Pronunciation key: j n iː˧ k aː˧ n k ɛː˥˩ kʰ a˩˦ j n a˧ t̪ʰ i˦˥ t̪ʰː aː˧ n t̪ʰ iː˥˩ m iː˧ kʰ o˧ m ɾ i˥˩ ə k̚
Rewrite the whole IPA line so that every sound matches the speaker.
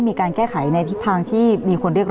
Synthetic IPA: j m iː˧ k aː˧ n k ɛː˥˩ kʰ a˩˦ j n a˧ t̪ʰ i˦˥ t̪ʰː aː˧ ŋ t̪ʰ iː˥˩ m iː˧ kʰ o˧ n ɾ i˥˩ ə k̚